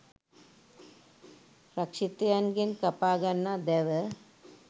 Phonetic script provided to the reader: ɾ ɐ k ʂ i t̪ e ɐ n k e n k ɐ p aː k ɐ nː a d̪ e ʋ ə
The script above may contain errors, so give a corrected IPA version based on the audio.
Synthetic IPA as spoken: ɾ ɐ k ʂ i t̪ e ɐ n ɡ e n k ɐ p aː ɡ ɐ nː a d̪ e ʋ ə